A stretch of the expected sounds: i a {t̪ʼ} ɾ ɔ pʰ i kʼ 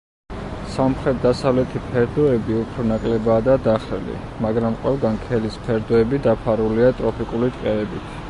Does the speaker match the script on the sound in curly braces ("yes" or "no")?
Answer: yes